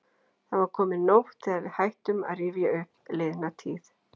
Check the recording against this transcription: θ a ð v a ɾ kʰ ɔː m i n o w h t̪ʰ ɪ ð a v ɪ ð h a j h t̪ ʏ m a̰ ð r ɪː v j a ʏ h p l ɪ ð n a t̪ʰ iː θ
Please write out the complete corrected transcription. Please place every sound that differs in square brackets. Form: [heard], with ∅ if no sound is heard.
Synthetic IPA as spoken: θ a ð v a ɾ kʰ ɔː m [ɪ] n o w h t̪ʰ ɪ ð a v ɪ ð h a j h t̪ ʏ m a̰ ð r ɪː v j a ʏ h p l ɪ ð n a t̪ʰ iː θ